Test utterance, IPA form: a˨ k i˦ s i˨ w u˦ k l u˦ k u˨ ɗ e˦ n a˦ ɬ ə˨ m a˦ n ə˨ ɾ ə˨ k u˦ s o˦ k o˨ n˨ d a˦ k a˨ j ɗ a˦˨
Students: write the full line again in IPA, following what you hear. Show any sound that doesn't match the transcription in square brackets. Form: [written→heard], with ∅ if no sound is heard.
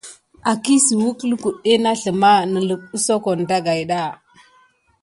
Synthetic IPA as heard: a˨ k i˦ s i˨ w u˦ k l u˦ k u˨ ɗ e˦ n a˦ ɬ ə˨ m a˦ n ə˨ [ɾ→l] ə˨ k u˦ s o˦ k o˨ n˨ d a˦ [k→ɡ] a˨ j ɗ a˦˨